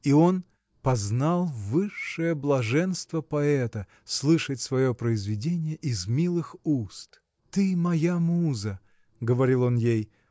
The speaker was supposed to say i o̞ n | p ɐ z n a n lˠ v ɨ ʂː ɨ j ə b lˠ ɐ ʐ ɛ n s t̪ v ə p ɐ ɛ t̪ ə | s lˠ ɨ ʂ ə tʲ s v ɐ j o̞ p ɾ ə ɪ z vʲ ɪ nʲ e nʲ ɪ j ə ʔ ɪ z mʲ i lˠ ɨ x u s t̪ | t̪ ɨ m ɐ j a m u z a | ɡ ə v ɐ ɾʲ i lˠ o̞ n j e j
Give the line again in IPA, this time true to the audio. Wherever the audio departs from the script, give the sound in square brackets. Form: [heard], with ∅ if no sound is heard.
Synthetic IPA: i o̞ n | p ɐ z n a [∅] lˠ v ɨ ʂː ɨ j ə b lˠ ɐ ʐ ɛ n s t̪ v ə p ɐ ɛ t̪ ə | s lˠ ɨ ʂ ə tʲ s v ɐ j o̞ p ɾ ə ɪ z vʲ ɪ [dʲ] e nʲ ɪ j ə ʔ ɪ z mʲ i lˠ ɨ x u s t̪ | t̪ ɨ m ɐ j a m u z [ə] | ɡ ə v ɐ ɾʲ i lˠ o̞ n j e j

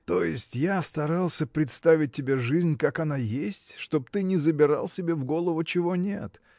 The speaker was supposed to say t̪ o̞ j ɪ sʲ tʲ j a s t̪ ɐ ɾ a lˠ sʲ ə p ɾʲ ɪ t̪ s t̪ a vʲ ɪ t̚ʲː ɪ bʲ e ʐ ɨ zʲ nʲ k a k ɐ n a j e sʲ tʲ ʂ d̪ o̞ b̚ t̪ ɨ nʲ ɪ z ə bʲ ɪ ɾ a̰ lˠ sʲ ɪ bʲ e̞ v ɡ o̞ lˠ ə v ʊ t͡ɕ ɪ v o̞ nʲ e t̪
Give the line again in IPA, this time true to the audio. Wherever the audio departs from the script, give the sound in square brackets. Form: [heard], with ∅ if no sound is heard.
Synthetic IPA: t̪ o̞ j ɪ sʲ tʲ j a s t̪ ɐ ɾ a lˠ sʲ ə p ɾʲ ɪ t̪ s t̪ a vʲ ɪ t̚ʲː ɪ bʲ e ʐ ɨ zʲ nʲ k a k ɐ n a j e sʲ tʲ ʂ [t̪] o̞ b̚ t̪ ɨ nʲ ɪ z ə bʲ ɪ ɾ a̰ lˠ sʲ ɪ bʲ e̞ v ɡ o̞ lˠ ə v ʊ t͡ɕ ɪ v o̞ nʲ e t̪

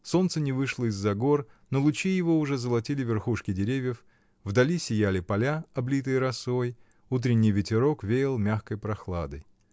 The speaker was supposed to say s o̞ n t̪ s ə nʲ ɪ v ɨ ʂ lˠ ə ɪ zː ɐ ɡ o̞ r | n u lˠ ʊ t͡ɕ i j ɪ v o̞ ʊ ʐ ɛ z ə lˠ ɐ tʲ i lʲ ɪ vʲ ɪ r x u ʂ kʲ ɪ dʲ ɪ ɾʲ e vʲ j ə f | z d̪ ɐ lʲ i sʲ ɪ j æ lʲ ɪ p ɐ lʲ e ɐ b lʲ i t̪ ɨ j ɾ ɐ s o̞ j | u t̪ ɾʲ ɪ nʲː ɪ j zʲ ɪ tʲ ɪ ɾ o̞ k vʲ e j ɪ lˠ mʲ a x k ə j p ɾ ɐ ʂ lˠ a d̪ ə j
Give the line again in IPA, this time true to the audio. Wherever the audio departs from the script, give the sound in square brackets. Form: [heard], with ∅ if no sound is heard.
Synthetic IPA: s o̞ n t̪ s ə nʲ ɪ v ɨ ʂ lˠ ə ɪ zː ɐ ɡ o̞ r | n [o] lˠ ʊ t͡ɕ i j ɪ v o̞ ʊ ʐ ɛ z ə lˠ ɐ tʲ i lʲ ɪ vʲ ɪ r x u ʂ kʲ ɪ dʲ ɪ ɾʲ e vʲ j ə f | [v] d̪ ɐ lʲ i sʲ ɪ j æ lʲ ɪ p ɐ lʲ [a] ɐ b lʲ i t̪ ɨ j ɾ ɐ s o̞ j | u t̪ ɾʲ ɪ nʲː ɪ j [vʲ] ɪ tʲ ɪ ɾ o̞ k vʲ e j ɪ lˠ mʲ a x k ə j p ɾ ɐ [x] lˠ a d̪ ə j

